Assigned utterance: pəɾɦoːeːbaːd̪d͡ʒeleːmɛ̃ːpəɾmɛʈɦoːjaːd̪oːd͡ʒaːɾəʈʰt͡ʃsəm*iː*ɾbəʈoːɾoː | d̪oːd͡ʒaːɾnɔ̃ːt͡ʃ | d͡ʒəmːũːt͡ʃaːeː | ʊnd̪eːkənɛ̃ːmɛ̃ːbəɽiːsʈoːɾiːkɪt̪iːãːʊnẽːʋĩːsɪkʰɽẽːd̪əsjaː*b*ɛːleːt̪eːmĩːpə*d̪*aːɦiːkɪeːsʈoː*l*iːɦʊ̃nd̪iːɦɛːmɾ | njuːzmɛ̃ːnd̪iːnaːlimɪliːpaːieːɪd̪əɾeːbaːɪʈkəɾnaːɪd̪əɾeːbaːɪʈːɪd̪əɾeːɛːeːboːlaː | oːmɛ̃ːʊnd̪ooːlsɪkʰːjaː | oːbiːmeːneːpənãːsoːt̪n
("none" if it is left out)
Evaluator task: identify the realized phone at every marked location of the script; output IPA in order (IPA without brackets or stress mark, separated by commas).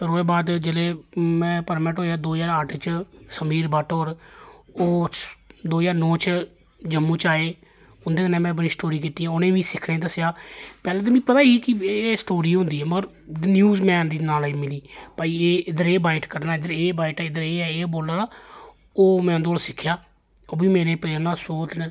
iː, p, t̪, ɾ